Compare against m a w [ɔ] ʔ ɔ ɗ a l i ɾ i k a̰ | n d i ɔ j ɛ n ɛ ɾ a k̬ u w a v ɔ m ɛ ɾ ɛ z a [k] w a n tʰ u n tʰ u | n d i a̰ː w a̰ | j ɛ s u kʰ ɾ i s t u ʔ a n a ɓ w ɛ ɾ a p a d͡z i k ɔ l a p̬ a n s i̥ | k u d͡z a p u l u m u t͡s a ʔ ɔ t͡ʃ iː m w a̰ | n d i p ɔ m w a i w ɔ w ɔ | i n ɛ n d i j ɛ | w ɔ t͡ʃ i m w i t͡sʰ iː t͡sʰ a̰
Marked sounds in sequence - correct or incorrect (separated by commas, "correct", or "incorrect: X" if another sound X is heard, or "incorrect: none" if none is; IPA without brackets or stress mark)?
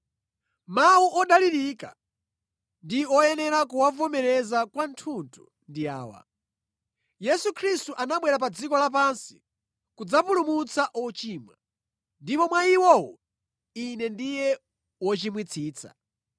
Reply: incorrect: u, correct